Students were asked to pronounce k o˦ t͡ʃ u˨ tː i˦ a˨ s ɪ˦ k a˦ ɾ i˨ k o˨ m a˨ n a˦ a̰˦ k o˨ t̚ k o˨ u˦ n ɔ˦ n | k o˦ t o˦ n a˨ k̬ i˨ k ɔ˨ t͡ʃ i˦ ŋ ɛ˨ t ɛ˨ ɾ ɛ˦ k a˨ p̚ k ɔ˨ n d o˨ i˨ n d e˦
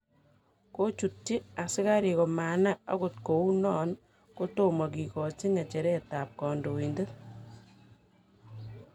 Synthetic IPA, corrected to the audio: k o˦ t͡ʃ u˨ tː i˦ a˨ s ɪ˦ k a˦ ɾ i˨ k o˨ m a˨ n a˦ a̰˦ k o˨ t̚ k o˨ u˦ n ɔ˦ n | k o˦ t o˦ m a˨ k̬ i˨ k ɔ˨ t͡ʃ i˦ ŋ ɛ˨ t͡ʃ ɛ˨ ɾ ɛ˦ t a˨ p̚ k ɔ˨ n d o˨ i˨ n d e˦